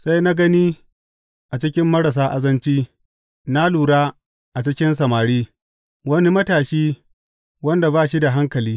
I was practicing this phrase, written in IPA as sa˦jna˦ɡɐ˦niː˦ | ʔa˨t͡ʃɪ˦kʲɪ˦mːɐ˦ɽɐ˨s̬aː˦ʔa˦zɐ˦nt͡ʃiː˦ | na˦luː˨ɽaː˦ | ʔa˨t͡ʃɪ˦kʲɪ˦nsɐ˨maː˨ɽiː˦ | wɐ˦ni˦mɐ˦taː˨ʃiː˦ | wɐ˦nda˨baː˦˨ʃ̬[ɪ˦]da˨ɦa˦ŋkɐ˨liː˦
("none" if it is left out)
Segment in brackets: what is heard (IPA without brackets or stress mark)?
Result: i˦